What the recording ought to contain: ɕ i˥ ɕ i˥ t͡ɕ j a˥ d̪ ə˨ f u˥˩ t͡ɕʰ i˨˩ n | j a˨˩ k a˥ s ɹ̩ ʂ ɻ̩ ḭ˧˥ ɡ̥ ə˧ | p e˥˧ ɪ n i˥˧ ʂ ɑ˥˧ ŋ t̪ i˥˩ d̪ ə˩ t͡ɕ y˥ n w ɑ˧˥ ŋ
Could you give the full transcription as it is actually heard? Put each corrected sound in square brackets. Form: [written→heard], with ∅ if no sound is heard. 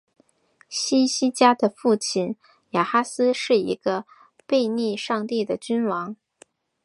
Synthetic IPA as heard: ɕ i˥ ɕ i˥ t͡ɕ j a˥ d̪ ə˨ f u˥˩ t͡ɕʰ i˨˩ n | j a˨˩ [k→x] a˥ s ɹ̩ ʂ ɻ̩ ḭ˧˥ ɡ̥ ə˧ | p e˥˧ ɪ n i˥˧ ʂ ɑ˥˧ ŋ t̪ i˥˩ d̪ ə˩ t͡ɕ y˥ n w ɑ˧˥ ŋ